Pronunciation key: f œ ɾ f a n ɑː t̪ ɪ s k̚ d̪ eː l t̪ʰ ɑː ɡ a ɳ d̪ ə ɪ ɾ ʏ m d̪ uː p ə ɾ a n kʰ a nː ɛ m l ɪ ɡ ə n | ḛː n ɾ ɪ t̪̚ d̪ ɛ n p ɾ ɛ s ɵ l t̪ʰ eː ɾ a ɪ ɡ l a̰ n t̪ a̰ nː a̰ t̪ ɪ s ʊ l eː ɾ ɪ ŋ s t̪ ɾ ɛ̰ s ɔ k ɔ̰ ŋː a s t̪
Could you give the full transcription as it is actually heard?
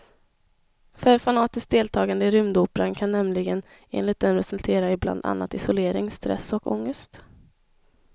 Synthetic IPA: f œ ɾ f a n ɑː t̪ ɪ s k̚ d̪ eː l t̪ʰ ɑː ɡ a n d̪ ə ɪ ɾ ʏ m d̪ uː p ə ɾ a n kʰ a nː ɛ m l ɪ ɡ ə n | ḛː n l ɪ t̪̚ d̪ ɛ n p ɾ ɛ s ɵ l t̪ʰ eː ɾ a ɪ b l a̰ n d̪ a̰ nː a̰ t̪ ɪ s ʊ l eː ɾ ɪ ŋ s t̪ ɾ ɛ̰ s ɔ k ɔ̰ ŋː ə s t̪